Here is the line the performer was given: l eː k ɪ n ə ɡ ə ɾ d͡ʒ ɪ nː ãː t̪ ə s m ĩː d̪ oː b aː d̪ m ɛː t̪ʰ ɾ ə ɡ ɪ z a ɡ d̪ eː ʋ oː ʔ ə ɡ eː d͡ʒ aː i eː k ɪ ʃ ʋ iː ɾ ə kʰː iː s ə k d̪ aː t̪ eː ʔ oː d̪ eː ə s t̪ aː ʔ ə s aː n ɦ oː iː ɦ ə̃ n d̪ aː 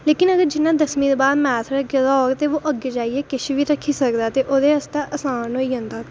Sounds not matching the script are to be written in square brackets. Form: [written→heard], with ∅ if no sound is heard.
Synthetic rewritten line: l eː k ɪ n ə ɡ ə ɾ d͡ʒ ɪ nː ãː [t̪→d̪] ə s m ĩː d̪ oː b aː d̪ m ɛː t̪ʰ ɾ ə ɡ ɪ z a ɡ [d̪→t̪] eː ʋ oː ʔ ə ɡ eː d͡ʒ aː i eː k ɪ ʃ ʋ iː ɾ ə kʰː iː s ə k d̪ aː t̪ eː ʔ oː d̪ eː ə s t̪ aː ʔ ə s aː n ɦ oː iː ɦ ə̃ n d̪ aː